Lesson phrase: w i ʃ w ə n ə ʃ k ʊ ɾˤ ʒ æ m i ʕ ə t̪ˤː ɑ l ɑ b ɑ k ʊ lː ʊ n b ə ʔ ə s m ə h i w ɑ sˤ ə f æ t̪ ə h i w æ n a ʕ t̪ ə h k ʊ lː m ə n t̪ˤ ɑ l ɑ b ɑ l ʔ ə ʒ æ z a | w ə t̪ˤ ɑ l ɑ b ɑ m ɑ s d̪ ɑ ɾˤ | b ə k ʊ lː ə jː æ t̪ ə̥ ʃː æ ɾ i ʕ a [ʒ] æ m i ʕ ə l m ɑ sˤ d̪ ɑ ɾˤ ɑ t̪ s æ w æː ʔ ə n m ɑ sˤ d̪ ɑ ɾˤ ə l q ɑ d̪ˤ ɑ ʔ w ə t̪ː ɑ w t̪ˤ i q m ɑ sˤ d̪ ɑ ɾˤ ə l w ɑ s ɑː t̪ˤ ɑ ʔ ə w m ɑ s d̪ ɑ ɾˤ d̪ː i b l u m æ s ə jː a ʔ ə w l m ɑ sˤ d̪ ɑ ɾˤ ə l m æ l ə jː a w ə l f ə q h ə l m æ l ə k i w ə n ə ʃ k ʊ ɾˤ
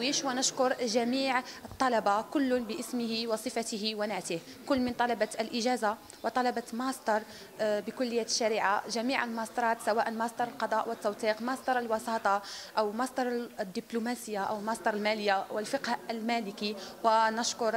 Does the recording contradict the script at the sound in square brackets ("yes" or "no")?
no